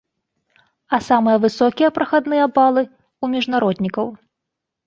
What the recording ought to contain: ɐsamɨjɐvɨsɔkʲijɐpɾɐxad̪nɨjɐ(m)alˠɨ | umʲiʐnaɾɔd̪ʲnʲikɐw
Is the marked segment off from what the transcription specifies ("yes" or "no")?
yes